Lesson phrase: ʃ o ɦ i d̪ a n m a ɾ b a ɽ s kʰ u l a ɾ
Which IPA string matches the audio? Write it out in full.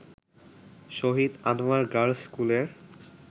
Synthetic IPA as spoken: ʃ o ɦ i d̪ a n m a ɾ ɡ a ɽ s k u l e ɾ